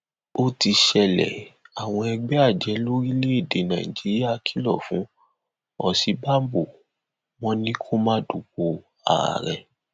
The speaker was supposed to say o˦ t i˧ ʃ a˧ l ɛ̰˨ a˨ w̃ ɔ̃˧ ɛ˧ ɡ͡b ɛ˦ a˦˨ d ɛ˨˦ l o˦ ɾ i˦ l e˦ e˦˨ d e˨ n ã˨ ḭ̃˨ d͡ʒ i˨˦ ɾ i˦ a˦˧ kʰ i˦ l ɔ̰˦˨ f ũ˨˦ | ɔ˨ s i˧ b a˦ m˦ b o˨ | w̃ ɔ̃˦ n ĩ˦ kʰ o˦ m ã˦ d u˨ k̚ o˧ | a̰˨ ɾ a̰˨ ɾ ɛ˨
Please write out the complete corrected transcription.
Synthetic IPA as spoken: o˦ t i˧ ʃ ɛ˧ l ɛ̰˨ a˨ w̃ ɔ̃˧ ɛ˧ ɡ͡b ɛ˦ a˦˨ d͡ʒ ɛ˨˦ l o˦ ɾ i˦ l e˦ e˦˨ d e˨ n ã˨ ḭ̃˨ d͡ʒ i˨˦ ɾ i˦ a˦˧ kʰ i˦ l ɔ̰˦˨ f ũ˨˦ | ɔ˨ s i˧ b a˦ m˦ b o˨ | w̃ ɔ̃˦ n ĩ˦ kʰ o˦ m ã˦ d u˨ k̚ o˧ | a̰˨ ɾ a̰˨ ɾ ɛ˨